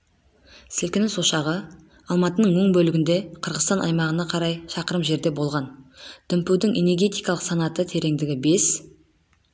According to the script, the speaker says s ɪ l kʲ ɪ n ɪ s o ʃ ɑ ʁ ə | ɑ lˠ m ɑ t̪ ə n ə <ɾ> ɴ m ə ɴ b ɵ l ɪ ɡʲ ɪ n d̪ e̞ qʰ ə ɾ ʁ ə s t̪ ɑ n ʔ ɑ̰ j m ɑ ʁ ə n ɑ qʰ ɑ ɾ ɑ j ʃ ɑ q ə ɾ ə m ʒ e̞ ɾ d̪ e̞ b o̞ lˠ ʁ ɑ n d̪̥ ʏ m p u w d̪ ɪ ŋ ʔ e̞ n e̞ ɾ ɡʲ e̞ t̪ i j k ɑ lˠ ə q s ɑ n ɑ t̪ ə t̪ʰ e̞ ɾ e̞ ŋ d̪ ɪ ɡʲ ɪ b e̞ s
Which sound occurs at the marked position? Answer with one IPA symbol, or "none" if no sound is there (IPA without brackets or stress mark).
none